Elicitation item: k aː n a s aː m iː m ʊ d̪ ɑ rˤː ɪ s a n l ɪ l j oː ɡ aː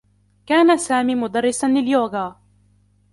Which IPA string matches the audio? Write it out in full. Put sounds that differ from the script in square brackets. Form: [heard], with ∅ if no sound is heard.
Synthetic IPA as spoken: k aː n a s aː m iː m ʊ d̪ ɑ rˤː ɪ s a n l ɪ l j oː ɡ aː